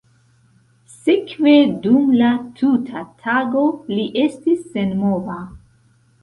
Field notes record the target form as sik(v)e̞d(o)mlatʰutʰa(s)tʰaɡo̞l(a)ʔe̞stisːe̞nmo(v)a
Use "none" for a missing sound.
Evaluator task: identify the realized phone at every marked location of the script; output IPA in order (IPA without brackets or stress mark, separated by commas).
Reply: v, u, none, i, v